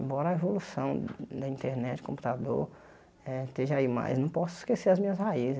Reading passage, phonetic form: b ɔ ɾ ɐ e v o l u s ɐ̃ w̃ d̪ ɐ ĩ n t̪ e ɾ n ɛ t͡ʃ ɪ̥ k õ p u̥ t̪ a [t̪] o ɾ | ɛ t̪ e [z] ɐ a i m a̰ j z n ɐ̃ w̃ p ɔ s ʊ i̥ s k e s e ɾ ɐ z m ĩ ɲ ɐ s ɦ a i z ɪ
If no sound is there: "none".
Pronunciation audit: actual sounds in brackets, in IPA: d̪, ʒ

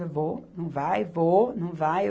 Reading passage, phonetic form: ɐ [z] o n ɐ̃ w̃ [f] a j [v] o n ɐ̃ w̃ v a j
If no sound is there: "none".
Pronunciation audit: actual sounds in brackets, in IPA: v, v, v

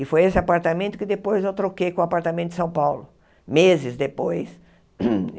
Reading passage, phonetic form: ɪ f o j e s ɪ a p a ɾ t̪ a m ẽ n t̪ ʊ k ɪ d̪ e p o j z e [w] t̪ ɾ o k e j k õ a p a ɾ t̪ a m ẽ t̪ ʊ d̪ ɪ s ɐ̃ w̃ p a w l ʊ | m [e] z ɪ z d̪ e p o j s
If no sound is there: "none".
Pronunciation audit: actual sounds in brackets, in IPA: w, e

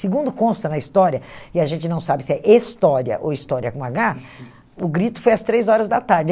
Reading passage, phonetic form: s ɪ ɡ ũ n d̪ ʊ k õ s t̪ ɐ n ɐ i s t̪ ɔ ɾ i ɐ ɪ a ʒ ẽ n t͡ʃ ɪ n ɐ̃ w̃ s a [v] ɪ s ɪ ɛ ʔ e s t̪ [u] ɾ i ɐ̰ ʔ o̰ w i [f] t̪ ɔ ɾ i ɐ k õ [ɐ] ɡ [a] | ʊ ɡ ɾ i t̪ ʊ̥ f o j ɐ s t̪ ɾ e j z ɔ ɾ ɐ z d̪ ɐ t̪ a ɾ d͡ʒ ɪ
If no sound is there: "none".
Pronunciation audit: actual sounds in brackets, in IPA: b, ɔ, s, a, a

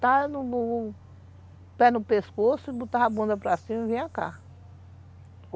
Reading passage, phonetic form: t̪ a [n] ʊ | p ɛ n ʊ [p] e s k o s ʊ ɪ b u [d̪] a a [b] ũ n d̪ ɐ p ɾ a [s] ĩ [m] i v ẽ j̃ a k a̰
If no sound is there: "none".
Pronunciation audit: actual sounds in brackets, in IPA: n, p, t̪, b, s, m

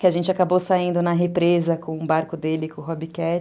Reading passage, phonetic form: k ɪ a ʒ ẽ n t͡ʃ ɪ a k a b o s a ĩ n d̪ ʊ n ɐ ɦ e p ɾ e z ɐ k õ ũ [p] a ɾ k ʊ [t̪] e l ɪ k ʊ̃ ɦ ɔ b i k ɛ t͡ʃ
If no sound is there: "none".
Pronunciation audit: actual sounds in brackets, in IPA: b, d̪

